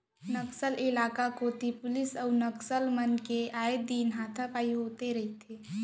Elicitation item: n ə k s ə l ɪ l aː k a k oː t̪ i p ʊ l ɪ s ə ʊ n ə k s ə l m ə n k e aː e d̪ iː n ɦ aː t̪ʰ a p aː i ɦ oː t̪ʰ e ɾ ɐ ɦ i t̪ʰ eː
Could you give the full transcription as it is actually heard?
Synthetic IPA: n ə k s ə l ɪ l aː k a k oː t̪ i p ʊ l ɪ s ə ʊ n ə k s ə l m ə n k e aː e d̪ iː n ɦ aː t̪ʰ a p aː i ɦ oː t̪ e ɾ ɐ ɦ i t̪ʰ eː